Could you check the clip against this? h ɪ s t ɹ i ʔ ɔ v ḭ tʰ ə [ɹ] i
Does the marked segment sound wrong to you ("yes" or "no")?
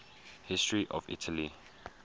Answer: yes